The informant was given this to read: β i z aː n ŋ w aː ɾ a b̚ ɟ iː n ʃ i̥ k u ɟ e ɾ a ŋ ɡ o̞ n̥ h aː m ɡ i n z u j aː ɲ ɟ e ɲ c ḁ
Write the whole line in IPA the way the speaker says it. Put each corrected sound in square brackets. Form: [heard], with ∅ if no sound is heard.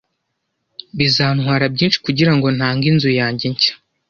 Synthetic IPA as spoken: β i z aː n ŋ w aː ɾ a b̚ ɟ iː n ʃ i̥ k u ɟ [i] ɾ a ŋ ɡ o̞ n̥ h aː [ŋ] ɡ i n z u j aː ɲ ɟ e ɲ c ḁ